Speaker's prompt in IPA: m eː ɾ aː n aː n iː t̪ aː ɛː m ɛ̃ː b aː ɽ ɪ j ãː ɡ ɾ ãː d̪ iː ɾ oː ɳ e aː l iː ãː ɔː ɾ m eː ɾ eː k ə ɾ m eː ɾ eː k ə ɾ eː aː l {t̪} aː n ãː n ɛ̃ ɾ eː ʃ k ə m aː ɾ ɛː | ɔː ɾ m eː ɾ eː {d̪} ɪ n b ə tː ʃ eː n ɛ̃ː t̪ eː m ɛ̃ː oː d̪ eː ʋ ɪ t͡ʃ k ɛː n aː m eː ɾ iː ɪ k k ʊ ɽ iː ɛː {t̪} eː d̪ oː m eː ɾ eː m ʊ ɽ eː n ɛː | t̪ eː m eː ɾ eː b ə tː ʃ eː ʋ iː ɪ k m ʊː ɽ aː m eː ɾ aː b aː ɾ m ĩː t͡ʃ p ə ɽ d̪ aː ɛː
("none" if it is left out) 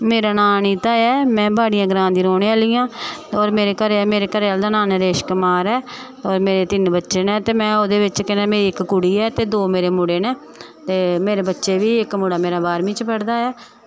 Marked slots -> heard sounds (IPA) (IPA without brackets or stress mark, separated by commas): d̪, t̪, t̪